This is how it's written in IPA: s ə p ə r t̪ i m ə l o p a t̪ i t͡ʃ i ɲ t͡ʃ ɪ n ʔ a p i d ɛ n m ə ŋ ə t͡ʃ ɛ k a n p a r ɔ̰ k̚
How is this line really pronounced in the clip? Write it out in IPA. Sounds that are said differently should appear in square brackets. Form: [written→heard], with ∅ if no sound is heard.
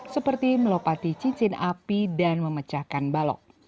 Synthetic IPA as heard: s ə p ə r t̪ i m ə l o p a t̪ i t͡ʃ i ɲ t͡ʃ ɪ n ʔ a p i d [ɛ→a] n m ə [ŋ→m] ə t͡ʃ [ɛ→a] k a n [p→b] a [r→l] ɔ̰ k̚